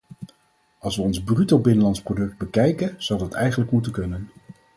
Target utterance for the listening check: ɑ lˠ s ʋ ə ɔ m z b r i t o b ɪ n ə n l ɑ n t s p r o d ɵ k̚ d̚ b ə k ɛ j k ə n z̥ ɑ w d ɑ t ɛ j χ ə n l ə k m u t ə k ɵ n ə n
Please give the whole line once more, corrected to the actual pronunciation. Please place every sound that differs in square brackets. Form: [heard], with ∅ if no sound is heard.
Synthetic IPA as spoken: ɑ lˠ s ʋ ə ɔ [n] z b r [y] t o b ɪ n ə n l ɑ n t s p r o d ɵ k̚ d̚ b ə k ɛ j k ə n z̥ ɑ w d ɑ t ɛ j χ ə n l ə k m u t ə k ɵ n ə n